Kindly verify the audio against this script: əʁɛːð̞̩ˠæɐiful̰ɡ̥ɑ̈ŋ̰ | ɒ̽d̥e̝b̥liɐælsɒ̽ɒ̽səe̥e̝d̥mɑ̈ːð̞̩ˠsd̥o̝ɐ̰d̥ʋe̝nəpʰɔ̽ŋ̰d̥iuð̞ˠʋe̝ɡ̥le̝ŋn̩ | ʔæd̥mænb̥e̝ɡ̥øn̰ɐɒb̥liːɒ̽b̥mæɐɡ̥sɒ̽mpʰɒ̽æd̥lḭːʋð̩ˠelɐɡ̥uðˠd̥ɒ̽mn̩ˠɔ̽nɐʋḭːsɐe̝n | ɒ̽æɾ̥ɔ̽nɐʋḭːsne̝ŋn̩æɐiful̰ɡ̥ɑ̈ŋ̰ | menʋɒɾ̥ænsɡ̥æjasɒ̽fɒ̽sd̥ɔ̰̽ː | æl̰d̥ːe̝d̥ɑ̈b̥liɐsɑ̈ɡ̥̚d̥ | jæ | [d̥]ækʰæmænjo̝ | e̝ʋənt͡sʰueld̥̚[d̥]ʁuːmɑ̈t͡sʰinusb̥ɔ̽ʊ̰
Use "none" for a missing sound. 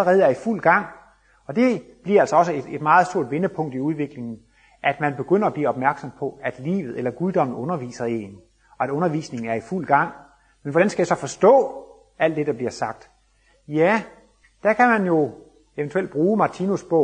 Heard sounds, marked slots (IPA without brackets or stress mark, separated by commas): d̥, b̥